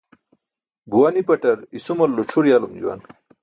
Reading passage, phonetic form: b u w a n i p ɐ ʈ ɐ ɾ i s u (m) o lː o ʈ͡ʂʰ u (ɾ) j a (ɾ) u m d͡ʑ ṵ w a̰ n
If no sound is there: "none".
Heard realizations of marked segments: m, ɾ, l

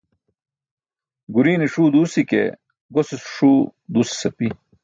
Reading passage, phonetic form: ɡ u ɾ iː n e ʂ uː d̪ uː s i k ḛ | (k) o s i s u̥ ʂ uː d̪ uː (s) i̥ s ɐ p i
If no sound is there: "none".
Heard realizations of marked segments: ɡ, s

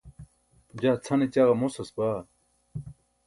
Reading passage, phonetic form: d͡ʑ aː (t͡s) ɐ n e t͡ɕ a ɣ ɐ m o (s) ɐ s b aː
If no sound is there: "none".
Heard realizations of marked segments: t͡sʰ, s

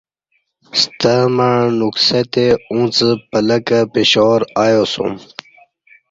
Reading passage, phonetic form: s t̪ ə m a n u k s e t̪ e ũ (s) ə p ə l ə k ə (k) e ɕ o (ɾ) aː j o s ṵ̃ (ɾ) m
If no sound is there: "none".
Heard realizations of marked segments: t͡s, p, ɾ, none

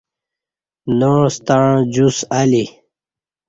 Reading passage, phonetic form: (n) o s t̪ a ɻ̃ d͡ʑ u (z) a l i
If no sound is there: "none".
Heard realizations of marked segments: n, s

